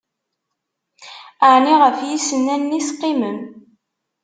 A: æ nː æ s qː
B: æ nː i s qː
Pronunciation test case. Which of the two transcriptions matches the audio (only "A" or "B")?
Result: B